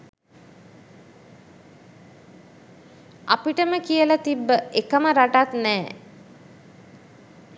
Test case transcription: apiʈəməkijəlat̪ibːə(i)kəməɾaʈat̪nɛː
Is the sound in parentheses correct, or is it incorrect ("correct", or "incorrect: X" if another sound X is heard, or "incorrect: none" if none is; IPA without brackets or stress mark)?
incorrect: e